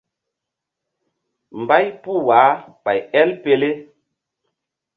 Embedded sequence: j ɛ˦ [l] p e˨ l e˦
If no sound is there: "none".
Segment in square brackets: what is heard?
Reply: l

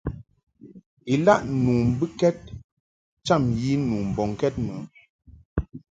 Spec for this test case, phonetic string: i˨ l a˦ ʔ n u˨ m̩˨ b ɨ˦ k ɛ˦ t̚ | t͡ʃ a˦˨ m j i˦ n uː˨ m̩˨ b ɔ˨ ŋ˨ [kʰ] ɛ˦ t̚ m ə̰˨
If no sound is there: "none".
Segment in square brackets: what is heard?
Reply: k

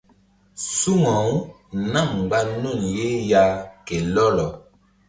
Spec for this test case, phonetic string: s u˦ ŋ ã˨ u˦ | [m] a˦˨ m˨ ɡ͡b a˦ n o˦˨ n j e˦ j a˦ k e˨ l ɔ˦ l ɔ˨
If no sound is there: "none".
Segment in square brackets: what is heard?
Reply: n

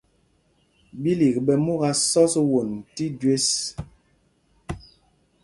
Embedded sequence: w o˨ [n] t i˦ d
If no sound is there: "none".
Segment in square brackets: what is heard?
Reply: n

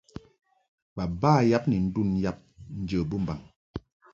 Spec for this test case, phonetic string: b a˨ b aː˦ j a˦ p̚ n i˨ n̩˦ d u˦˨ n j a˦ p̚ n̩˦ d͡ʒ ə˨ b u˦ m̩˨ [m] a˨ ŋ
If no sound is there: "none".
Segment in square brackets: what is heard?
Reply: b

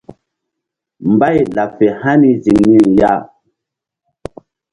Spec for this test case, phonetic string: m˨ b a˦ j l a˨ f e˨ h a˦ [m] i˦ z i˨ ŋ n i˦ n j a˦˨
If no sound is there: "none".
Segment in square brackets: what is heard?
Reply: n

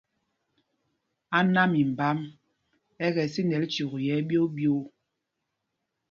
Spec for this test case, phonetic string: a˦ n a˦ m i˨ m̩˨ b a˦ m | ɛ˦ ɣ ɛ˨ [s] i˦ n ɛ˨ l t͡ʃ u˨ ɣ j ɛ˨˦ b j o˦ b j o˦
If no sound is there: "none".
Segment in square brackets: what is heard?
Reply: s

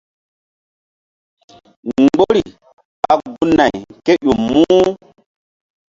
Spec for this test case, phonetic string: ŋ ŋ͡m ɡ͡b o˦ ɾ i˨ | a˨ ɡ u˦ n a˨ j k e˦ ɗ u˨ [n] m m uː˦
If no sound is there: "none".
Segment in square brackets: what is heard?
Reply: none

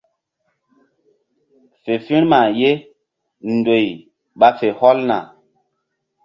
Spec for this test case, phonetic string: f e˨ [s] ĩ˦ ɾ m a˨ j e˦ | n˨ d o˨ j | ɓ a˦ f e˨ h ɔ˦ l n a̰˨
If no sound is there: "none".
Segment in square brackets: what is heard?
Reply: f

